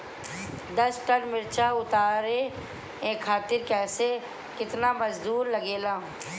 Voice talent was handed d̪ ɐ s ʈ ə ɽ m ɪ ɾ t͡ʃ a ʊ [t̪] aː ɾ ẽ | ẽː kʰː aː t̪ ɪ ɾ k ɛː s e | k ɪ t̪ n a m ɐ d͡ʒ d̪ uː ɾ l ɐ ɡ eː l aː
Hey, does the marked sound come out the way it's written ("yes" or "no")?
yes